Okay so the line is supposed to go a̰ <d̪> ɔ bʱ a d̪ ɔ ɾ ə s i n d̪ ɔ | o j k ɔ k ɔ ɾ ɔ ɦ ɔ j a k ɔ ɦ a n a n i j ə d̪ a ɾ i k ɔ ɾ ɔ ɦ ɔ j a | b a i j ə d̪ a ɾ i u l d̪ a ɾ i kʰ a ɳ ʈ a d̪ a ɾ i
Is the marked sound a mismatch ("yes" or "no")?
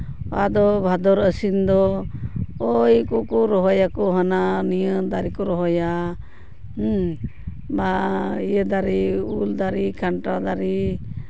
no